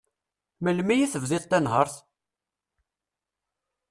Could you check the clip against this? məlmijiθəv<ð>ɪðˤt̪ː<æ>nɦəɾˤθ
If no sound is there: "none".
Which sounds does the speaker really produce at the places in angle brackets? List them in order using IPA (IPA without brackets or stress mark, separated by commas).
ð, æ